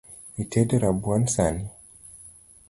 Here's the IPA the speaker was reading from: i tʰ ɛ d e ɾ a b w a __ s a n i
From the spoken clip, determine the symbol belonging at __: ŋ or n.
n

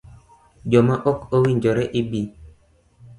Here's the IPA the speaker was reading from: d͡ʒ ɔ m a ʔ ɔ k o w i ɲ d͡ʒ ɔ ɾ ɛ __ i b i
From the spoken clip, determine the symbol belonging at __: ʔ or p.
ʔ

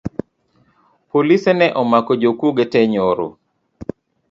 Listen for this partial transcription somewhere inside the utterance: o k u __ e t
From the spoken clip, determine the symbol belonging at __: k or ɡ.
ɡ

